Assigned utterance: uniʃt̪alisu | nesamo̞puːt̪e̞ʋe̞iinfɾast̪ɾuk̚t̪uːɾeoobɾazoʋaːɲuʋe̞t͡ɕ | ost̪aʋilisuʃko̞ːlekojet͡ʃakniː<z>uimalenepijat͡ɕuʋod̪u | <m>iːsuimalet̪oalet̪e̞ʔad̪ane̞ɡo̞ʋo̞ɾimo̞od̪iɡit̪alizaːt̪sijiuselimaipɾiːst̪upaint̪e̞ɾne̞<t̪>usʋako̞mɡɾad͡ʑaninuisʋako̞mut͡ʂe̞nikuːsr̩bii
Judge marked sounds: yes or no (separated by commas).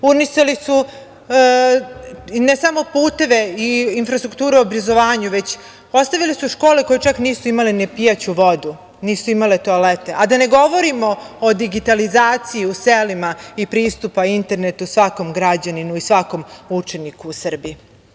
no, no, yes